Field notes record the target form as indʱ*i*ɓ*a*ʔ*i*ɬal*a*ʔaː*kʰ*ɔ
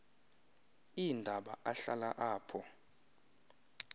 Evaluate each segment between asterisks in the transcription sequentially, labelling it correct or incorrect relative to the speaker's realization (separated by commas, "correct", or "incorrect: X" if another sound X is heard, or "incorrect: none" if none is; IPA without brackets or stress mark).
incorrect: a, correct, incorrect: a, correct, incorrect: pʰ